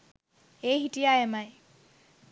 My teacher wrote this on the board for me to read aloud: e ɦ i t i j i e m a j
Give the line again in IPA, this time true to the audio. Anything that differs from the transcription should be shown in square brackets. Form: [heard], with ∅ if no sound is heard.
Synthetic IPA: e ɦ i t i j [a] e m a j